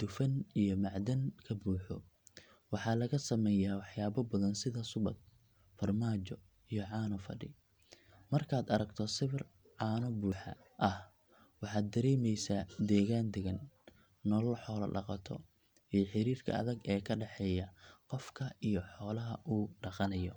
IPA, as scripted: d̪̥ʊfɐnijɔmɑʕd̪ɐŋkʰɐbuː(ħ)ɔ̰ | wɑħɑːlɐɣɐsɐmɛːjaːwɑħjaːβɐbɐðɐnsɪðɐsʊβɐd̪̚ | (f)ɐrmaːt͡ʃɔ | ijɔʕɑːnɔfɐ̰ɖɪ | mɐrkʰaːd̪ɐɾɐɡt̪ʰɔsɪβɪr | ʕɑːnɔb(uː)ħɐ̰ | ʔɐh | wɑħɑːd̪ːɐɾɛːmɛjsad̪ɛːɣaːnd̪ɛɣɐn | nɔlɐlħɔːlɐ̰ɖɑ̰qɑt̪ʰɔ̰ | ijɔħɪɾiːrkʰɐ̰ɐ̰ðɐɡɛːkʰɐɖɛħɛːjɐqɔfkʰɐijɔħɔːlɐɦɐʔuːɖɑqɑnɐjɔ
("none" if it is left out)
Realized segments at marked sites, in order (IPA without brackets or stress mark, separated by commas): ħ, f, uː